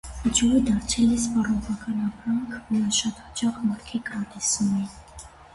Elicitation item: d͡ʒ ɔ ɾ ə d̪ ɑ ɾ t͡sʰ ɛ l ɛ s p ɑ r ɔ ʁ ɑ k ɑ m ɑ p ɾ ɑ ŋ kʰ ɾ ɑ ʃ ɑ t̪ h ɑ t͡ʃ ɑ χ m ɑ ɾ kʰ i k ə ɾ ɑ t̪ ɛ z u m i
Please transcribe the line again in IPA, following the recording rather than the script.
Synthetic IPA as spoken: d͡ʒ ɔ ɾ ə d̪ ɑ ɾ t͡sʰ ɛ l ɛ s p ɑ r ɔ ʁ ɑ k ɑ n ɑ p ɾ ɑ ŋ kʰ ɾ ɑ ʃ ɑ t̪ h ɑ t͡ʃ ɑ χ m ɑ ɾ kʰ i k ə ɾ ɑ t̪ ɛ s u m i